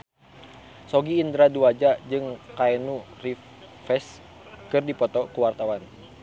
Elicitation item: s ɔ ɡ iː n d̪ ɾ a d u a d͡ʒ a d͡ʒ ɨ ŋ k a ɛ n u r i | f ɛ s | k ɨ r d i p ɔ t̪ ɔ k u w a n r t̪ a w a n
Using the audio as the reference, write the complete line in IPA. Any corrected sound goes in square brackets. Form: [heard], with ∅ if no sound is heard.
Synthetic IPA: s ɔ ɡ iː n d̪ ɾ a d u a d͡ʒ a d͡ʒ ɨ ŋ k a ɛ n u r i | f ɛ s | k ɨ r d i p ɔ t̪ ɔ k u w a [∅] r t̪ a w a n